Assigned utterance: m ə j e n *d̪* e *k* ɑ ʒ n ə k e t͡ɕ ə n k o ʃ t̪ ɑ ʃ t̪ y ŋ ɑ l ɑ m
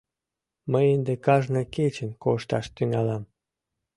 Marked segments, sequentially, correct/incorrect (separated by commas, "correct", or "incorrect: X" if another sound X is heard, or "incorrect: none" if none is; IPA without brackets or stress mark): correct, correct